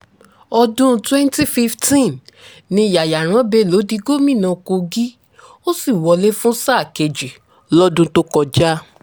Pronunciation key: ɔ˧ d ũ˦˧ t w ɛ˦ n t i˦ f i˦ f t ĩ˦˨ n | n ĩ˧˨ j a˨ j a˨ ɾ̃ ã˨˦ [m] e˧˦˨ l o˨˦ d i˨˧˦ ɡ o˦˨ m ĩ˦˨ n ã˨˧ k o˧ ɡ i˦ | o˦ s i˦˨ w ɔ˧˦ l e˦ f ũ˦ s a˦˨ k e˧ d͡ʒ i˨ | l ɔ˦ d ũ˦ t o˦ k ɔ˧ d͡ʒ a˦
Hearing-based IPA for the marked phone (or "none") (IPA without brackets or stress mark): b